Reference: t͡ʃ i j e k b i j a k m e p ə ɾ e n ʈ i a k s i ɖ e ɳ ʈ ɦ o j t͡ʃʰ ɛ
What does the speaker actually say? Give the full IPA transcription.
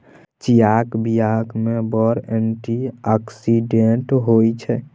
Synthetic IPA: t͡ʃ i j a k b i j a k m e b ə ɾ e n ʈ i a k s i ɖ e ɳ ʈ ɦ o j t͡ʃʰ ɛ